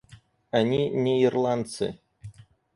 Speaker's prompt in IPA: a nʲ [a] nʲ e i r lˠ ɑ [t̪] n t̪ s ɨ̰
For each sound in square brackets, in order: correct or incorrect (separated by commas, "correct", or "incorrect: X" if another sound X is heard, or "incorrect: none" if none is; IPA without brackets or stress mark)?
incorrect: i, incorrect: none